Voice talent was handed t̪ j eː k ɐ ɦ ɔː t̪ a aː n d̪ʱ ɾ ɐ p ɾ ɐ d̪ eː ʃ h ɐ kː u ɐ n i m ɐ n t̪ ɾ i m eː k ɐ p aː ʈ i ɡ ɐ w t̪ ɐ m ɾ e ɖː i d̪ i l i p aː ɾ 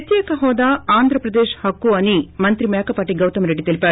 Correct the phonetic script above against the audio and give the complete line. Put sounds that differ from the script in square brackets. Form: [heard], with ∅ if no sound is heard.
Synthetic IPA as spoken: t̪ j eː k ɐ ɦ ɔː [d̪] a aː n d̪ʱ ɾ ɐ p ɾ ɐ d̪ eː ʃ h ɐ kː u ɐ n i m ɐ n t̪ ɾ i m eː k ɐ p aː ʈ i ɡ ɐ w t̪ ɐ m ɾ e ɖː i [t̪] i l i p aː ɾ